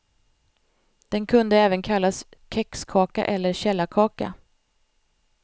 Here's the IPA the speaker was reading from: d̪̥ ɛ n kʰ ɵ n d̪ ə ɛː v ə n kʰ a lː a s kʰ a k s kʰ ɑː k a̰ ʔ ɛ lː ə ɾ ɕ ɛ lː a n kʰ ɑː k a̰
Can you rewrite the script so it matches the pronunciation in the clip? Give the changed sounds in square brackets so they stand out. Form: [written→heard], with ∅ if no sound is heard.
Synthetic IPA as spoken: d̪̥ ɛ n kʰ ɵ n d̪ ə ɛː v ə n kʰ a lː a s kʰ [a→ɛ] k s kʰ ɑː k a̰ ʔ ɛ lː ə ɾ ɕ ɛ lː a [n→∅] kʰ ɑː k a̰

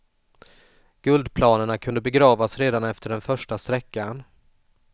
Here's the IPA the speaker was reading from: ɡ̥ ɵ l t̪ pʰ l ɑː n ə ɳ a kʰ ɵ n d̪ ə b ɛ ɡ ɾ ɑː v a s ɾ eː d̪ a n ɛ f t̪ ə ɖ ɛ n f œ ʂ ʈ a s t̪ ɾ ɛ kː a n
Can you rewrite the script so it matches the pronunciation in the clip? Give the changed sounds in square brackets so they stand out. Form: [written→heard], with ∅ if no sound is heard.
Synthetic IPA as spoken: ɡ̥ ɵ l [t̪→d̪] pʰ l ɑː n ə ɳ a kʰ ɵ n d̪ ə b ɛ ɡ ɾ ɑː v a s ɾ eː d̪ a n ɛ f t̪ ə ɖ ɛ n f œ ʂ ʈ a s t̪ ɾ ɛ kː a n

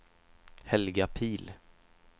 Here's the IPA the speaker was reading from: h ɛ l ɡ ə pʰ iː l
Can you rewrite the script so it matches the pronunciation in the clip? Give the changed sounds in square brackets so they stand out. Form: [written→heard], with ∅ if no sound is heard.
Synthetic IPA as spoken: h ɛ l ɡ [ə→a] pʰ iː l

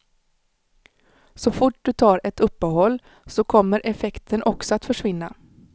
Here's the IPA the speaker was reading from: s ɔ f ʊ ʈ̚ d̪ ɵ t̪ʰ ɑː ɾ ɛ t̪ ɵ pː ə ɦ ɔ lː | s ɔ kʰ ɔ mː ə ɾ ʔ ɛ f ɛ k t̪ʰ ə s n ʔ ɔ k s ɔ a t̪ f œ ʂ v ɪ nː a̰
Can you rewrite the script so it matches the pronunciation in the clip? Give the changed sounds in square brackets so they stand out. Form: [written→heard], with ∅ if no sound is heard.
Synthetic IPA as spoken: s ɔ f ʊ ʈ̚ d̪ ɵ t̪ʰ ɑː ɾ ɛ t̪ ɵ pː ə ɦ ɔ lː | s ɔ kʰ ɔ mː ə ɾ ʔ ɛ f ɛ k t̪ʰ ə [s→∅] n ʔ ɔ k s ɔ a t̪ f œ ʂ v ɪ nː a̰

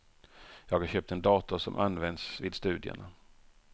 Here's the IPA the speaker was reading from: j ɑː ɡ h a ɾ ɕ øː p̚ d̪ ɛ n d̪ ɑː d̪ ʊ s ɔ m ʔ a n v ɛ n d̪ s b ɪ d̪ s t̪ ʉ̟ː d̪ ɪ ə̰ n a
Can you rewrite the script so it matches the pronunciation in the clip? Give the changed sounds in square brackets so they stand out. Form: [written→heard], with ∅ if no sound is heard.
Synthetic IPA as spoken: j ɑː ɡ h a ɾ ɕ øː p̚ [d̪→t̪] ɛ n d̪ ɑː [d̪→t̪] ʊ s ɔ m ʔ a n v ɛ n d̪ s [b→v] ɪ d̪ s t̪ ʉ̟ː d̪ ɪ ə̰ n a

